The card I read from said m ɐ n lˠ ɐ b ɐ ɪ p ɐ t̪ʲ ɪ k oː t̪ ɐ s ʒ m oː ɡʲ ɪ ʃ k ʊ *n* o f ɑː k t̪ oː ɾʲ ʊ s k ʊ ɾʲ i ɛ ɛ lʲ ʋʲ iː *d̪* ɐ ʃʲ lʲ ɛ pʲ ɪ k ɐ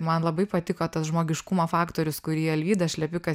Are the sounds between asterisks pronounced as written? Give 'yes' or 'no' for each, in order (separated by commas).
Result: no, yes